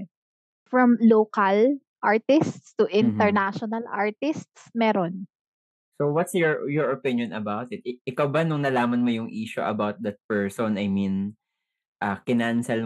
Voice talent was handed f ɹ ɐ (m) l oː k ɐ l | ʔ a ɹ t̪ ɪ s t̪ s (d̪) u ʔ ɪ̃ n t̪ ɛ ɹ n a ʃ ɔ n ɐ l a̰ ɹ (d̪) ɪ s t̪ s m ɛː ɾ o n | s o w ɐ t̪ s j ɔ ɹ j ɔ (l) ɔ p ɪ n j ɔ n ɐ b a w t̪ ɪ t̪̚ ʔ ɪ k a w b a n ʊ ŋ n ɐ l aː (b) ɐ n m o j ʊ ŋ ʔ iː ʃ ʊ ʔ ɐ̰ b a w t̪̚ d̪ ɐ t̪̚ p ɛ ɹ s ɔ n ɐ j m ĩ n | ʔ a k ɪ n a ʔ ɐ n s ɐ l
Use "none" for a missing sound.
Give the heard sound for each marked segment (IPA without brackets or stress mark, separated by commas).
m, t̪, t̪, ɹ, m